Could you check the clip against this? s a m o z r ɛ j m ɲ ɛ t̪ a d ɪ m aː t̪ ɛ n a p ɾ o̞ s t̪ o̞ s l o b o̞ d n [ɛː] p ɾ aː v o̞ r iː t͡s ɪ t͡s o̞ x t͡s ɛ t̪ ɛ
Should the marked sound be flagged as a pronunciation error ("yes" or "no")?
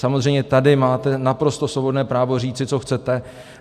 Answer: no